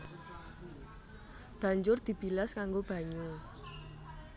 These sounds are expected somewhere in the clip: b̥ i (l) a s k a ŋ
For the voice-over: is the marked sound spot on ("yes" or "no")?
yes